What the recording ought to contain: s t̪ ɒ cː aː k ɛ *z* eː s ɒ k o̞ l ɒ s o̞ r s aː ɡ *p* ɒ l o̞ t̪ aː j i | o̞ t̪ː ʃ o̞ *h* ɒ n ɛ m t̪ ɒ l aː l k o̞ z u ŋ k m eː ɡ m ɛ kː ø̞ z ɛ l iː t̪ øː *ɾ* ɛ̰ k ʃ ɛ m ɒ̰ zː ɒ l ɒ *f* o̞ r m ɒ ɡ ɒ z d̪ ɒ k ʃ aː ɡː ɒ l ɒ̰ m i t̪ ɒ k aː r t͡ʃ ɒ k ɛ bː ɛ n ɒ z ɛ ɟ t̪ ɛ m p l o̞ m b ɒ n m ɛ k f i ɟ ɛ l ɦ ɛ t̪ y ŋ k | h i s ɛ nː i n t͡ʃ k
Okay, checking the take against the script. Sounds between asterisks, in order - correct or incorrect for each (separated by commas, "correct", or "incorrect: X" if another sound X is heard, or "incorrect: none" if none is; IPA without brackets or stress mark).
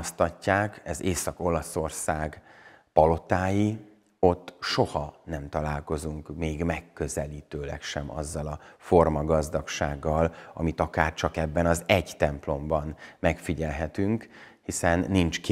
correct, correct, correct, incorrect: l, correct